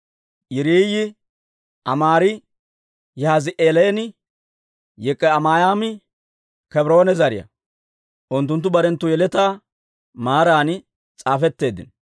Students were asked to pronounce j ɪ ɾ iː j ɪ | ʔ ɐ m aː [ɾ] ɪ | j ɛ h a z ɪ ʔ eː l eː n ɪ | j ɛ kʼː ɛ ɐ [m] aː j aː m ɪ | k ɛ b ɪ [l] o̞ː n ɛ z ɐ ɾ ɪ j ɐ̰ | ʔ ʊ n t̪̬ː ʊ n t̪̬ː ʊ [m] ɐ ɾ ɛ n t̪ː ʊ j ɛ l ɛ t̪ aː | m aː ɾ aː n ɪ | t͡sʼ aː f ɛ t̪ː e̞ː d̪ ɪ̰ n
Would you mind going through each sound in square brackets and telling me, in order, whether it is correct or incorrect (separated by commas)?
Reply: correct, correct, incorrect, incorrect